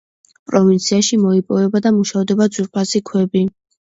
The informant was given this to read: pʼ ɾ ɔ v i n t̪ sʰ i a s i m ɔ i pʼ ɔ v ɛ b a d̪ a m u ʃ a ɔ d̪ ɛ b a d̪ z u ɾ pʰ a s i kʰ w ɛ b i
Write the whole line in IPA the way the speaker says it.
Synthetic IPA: pʼ ɾ ɔ v i n t̪ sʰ i a ʃ i m ɔ i pʼ ɔ v ɛ b a d̪ a m u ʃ a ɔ d̪ ɛ b a d̪ z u ɾ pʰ a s i kʰ w ɛ b i